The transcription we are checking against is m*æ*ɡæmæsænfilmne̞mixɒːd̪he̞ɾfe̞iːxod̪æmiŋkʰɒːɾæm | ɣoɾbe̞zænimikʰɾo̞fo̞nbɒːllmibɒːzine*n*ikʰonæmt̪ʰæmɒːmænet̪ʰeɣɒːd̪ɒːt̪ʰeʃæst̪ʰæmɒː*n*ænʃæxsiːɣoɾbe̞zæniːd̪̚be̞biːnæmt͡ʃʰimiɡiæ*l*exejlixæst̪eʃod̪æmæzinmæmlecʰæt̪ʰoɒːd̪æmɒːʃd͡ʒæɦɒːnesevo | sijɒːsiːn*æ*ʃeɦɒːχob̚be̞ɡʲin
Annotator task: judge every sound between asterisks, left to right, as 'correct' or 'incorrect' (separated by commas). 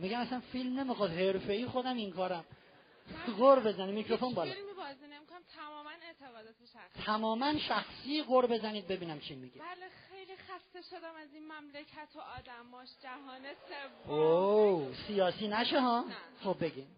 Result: incorrect, incorrect, incorrect, correct, correct